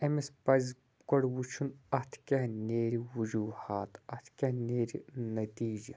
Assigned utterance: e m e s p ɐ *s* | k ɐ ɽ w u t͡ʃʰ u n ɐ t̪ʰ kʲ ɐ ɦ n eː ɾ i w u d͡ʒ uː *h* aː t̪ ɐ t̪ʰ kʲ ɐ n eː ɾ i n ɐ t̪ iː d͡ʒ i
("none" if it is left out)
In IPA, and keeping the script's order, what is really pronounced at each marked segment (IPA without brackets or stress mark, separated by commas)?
z, h